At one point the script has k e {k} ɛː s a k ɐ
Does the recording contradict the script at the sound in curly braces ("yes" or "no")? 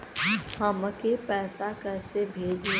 yes